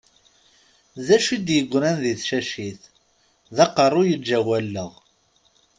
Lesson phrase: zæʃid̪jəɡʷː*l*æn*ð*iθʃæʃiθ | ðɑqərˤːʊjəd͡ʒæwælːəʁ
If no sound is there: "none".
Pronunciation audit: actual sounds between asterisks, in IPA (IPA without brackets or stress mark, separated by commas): ɾ, ð